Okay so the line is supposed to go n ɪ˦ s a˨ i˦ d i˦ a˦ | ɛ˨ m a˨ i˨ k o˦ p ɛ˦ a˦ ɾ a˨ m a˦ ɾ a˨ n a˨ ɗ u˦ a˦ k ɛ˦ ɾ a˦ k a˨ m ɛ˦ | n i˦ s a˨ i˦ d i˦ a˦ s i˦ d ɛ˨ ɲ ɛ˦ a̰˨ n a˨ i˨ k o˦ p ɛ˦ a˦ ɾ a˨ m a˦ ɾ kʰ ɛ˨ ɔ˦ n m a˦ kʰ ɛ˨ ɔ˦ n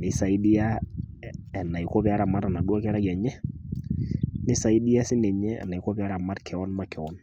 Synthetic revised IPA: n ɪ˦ s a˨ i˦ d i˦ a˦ | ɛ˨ n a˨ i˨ k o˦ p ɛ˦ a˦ ɾ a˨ m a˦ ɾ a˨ n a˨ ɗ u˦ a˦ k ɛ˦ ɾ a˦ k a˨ ɲ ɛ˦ | n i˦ s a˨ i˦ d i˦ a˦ s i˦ n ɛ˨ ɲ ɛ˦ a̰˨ n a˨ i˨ k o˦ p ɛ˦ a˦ ɾ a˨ m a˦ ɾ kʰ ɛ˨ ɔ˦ n m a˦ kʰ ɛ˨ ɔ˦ n